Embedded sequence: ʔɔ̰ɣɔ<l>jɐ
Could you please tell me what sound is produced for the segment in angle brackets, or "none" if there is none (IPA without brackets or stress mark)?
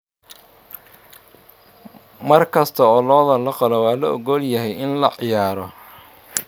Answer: l